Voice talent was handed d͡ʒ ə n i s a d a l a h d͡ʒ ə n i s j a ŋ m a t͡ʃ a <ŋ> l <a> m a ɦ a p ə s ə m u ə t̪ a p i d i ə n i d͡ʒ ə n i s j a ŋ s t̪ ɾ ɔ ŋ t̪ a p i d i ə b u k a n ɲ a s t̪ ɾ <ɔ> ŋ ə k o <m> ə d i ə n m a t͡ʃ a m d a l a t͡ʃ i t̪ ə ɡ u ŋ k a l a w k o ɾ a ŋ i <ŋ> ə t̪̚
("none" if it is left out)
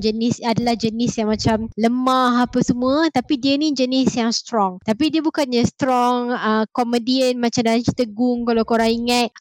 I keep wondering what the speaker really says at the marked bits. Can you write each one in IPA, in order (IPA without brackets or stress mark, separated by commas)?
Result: m, ə, ɔ, m, ŋ